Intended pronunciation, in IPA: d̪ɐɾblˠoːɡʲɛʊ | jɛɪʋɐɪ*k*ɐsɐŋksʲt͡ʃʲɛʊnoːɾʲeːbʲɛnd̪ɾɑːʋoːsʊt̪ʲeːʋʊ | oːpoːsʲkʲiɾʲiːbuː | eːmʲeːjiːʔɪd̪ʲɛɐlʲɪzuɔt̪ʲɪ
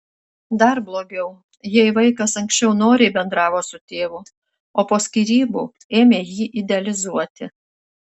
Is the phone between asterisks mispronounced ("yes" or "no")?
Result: no